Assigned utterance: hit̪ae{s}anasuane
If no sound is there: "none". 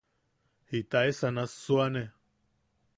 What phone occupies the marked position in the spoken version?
s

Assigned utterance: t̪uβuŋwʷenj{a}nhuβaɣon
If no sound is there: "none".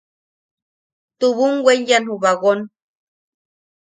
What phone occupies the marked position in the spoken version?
a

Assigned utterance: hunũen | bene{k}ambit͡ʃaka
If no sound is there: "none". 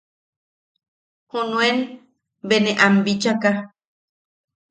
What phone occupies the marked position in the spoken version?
ʔ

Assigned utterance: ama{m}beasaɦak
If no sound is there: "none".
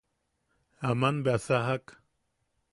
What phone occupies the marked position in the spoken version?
n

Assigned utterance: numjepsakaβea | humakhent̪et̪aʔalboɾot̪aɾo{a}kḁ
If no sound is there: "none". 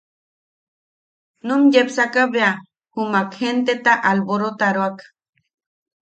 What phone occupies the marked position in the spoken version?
a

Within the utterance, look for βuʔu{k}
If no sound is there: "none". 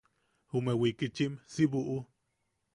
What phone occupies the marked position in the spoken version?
none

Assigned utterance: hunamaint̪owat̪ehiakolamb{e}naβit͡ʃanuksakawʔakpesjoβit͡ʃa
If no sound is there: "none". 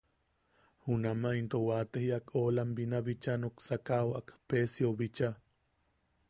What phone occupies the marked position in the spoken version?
i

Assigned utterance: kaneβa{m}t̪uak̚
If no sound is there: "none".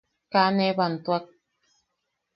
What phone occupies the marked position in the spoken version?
n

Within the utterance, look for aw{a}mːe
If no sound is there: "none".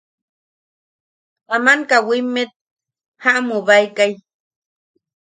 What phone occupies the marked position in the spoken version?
i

